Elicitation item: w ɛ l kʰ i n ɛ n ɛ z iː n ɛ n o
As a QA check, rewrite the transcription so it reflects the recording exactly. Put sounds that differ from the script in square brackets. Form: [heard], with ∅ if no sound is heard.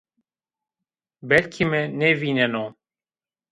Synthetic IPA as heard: [b] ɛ l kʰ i [m] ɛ n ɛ [v] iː n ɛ n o